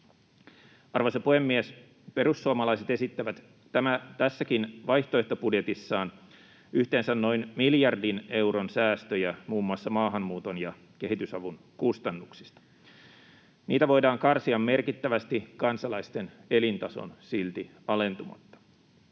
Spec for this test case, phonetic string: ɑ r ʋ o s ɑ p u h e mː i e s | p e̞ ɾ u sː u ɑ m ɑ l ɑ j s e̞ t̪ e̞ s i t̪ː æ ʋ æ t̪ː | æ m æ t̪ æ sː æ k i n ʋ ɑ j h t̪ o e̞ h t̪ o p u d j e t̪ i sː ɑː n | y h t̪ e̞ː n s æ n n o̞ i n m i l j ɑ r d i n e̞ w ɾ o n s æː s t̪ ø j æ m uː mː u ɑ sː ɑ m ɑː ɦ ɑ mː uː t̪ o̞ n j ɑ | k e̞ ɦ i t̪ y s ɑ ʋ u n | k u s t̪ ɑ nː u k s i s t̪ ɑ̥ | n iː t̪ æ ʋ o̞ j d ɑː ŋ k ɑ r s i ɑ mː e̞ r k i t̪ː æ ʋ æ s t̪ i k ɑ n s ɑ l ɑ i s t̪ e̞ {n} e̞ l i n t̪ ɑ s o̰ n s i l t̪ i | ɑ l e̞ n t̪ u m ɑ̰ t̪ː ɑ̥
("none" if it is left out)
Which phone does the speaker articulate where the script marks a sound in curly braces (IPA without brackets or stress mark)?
n